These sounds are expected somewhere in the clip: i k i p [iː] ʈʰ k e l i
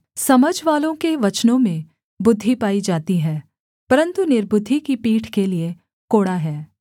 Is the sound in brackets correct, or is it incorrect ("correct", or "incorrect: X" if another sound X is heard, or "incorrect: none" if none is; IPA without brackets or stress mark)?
correct